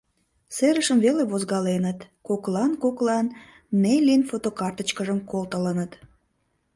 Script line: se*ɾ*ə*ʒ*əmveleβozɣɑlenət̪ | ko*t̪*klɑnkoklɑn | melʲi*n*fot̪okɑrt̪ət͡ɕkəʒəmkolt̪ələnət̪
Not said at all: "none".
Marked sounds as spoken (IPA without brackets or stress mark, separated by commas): ɾ, ʃ, none, n